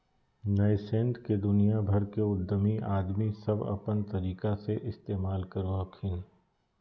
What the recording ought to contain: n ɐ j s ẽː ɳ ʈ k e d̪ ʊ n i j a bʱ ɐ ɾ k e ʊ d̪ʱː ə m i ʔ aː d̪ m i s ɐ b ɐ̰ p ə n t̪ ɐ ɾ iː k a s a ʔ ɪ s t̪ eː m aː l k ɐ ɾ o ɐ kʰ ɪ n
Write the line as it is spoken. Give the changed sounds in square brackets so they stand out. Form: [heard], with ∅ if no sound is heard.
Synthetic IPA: n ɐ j s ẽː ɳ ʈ k e d̪ ʊ n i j a bʱ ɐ ɾ k e ʊ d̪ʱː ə m i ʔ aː d̪ m i s ɐ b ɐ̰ p ə n t̪ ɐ ɾ iː k a s [e] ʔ ɪ s t̪ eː m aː l k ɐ ɾ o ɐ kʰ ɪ n